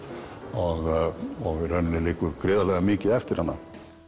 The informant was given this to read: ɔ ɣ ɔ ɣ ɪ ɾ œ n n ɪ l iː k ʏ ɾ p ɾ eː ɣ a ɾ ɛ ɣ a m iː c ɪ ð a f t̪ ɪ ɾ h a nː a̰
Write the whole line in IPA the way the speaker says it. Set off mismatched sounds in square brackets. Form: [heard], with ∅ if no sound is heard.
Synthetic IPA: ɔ ɣ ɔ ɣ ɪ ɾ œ n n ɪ l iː k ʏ ɾ [k] ɾ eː [ð] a [l] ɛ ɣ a m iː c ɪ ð [ɛ] f t̪ ɪ ɾ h a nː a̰